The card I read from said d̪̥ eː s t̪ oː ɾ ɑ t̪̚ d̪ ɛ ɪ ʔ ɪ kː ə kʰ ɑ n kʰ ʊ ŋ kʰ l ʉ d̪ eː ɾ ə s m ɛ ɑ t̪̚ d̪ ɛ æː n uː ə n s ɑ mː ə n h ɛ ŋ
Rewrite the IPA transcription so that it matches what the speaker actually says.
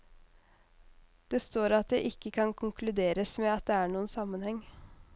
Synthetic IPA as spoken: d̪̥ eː s t̪ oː ɾ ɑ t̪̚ d̪ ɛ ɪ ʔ ɪ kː ə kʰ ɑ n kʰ ʊ ŋ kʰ l ʉ d̪ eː ɾ ə s m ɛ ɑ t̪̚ d̪ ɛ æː ɳ uː ə n s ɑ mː ə n h ɛ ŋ